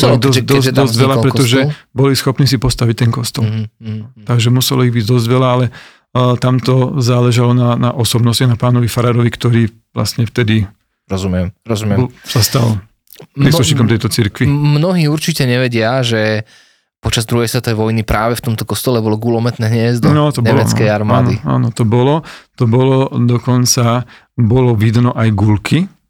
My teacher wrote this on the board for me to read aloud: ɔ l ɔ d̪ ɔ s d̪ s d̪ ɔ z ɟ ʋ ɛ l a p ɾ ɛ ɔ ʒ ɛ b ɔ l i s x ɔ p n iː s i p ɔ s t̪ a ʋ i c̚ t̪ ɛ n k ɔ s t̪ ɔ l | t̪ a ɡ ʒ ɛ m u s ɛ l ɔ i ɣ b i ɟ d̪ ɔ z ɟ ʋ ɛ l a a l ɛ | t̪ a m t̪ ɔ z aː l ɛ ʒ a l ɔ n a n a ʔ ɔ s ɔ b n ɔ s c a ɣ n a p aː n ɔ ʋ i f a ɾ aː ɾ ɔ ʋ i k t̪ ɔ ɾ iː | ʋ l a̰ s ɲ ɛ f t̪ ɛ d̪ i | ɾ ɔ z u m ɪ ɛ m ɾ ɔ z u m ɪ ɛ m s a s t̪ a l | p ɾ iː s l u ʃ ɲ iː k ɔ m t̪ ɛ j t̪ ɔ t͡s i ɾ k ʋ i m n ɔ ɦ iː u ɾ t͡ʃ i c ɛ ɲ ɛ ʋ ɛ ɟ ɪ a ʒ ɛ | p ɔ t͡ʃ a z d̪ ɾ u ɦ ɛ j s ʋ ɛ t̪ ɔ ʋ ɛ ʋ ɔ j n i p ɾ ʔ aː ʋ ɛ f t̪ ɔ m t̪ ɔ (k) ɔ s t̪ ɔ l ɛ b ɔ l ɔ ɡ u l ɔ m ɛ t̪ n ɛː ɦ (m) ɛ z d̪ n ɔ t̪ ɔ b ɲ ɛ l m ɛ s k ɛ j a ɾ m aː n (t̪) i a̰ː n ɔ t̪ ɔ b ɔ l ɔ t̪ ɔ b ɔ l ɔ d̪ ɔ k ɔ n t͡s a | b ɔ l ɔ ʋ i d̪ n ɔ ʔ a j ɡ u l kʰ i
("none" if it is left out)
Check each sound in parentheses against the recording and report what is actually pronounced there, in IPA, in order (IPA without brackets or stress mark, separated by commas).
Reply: k, ɲ, d̪